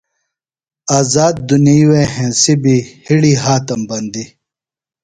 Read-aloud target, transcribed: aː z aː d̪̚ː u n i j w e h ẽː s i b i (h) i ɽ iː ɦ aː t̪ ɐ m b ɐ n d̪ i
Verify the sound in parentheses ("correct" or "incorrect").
correct